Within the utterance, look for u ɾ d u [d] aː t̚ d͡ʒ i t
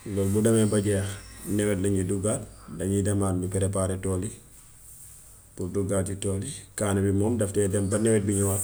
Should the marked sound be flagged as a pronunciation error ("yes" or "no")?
yes